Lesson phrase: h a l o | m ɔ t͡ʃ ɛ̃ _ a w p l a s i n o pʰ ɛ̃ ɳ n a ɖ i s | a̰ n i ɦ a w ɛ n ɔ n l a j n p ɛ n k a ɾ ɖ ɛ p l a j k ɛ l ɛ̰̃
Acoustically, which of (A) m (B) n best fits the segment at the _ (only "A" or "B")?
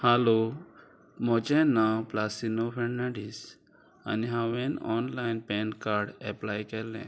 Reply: B